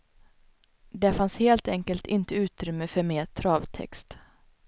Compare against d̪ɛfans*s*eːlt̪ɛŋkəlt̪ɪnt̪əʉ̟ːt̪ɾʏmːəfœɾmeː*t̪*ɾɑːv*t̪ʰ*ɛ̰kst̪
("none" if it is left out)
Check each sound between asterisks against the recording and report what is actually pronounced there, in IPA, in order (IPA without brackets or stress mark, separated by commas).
h, t̪ʰ, t̪ʰ